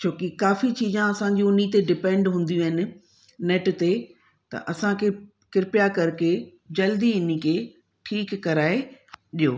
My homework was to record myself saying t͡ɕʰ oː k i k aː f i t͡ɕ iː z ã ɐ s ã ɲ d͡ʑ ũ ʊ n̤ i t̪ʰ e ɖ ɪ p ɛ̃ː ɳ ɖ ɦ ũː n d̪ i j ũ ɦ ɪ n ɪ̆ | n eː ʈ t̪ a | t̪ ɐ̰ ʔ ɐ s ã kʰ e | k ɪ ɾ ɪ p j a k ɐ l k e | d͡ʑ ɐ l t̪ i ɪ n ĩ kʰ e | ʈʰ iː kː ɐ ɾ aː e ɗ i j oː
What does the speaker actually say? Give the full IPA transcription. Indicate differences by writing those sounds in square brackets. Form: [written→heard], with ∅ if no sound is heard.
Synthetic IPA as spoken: t͡ɕʰ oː k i k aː f i t͡ɕ iː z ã ɐ s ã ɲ d͡ʑ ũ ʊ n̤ i [t̪ʰ→t̪] e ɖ ɪ p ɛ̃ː ɳ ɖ ɦ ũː n d̪ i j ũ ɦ ɪ n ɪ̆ | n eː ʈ t̪ [a→e] | t̪ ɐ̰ ʔ ɐ s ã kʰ e | k ɪ ɾ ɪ p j a k ɐ [l→ɾ] k e | d͡ʑ ɐ l [t̪→d̪] i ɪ n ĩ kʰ e | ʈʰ iː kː ɐ ɾ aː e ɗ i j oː